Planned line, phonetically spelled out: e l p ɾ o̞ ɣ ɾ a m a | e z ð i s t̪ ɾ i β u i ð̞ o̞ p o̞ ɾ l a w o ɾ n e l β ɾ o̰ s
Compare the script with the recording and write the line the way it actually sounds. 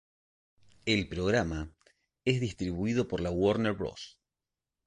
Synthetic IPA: e l p ɾ o̞ ɣ ɾ a m a | e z ð i s t̪ ɾ i β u i ð̞ o̞ p o̞ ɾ l a w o ɾ n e ɾ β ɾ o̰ s